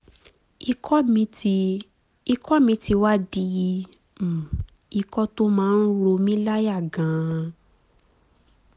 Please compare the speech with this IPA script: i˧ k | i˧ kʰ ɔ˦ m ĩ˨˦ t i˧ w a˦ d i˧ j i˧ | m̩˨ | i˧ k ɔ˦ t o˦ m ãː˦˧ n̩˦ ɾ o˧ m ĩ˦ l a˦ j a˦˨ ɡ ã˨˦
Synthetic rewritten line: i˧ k | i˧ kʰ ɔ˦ m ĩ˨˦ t i˧ w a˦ d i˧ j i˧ | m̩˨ | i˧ k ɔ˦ t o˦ m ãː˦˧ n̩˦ ɾ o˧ m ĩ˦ l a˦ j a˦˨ ɡ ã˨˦